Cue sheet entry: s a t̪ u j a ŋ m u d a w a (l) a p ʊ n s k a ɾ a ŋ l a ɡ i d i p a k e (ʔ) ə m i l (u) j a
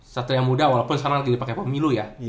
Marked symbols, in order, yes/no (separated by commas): yes, no, yes